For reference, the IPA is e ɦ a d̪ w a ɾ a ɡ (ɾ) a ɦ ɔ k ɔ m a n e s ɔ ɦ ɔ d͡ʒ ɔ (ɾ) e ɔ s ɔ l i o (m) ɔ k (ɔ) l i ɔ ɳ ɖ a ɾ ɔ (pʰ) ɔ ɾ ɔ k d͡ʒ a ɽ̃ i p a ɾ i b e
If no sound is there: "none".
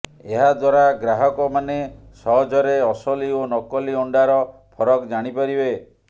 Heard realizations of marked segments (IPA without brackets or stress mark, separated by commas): ɾ, ɾ, n, ɔ, pʰ